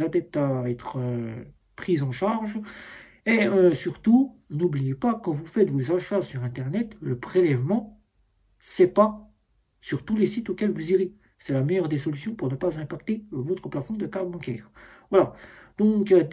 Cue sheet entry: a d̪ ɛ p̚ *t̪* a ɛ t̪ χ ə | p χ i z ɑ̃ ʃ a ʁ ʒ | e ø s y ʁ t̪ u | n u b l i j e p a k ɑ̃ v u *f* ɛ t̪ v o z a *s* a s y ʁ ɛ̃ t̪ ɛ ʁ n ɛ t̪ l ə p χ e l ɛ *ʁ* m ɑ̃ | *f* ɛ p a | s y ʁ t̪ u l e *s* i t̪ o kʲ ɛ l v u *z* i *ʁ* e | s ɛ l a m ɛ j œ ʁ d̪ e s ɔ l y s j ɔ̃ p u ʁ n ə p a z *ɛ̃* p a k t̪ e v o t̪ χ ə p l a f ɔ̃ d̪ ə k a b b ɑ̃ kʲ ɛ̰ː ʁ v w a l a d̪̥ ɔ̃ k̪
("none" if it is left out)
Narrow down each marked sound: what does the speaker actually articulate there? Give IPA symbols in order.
t̪, f, ʃ, v, s, s, z, ʁ, ɛ̃

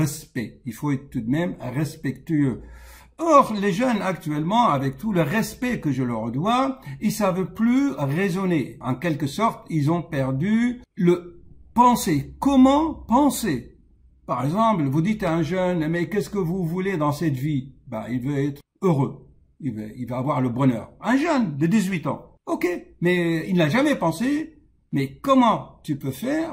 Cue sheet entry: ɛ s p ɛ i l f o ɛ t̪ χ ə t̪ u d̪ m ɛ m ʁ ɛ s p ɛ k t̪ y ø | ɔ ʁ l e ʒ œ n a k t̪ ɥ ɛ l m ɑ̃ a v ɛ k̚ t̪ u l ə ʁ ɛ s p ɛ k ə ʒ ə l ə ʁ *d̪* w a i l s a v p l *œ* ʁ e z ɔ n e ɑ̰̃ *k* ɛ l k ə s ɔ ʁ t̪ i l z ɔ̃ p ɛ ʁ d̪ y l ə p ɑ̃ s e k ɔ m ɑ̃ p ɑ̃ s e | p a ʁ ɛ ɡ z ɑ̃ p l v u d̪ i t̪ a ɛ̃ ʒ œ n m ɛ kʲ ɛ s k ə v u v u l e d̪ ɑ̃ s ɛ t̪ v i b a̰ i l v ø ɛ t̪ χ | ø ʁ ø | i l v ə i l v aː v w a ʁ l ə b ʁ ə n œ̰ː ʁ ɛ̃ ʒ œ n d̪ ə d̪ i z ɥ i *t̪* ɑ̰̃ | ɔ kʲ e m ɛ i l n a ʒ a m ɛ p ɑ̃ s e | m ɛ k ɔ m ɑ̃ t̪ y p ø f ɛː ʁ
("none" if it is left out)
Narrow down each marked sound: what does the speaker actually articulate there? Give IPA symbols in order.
d̪, y, k, t̪

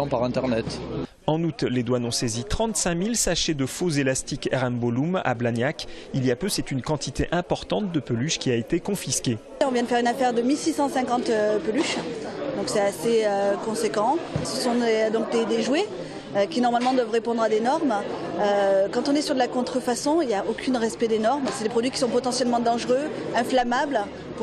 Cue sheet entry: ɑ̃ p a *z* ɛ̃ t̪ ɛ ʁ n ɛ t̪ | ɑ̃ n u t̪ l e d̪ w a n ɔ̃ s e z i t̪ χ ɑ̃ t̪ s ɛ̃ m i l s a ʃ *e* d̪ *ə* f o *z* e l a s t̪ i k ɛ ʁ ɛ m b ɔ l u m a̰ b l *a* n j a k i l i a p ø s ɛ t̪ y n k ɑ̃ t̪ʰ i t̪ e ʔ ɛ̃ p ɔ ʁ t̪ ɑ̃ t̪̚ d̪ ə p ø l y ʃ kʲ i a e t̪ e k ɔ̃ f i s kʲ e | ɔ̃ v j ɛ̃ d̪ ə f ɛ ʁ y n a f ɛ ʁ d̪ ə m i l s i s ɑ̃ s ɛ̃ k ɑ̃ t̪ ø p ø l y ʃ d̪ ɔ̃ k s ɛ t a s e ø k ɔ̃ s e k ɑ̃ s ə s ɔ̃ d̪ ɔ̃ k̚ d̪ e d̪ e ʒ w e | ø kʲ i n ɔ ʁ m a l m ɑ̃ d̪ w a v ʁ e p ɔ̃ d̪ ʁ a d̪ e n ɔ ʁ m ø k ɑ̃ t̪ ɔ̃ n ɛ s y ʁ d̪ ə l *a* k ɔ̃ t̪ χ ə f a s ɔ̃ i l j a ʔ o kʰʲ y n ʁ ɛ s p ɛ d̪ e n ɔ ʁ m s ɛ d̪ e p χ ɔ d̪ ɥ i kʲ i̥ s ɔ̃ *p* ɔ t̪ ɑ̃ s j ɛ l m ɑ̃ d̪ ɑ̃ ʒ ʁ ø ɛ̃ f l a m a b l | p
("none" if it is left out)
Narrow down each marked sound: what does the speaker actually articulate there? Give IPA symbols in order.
ʁ, e, ə, z, a, a, p

